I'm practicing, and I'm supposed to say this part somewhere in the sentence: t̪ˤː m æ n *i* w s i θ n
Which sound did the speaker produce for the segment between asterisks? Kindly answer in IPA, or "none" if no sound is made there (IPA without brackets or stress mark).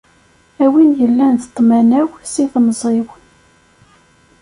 æ